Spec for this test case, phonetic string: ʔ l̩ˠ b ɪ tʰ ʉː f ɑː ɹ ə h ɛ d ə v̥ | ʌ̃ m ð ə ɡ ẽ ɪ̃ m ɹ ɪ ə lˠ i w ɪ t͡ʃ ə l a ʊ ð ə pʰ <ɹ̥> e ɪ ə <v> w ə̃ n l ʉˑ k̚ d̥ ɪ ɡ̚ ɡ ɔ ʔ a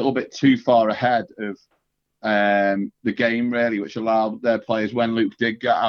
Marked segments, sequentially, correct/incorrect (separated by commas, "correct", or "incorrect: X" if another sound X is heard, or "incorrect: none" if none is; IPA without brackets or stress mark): incorrect: l̥, incorrect: z